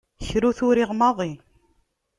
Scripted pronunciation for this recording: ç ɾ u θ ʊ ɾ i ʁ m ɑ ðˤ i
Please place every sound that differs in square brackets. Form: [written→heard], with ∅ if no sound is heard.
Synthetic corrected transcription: ç ɾ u θ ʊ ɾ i ʁ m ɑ ðˤ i